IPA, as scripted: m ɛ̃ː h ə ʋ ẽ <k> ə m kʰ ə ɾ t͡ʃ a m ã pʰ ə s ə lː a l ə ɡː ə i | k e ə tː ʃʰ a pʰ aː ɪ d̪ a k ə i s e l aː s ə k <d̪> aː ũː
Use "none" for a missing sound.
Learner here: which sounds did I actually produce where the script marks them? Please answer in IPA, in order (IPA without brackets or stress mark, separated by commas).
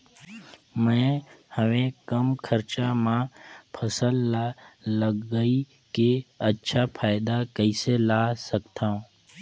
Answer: k, t̪